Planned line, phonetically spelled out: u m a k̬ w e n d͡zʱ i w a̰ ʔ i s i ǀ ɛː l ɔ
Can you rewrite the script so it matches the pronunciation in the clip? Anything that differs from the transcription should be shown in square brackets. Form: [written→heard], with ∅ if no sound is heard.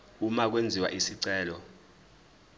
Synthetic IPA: u m a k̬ w e n d͡zʱ i w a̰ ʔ i s i ǀ ɛː l ɔ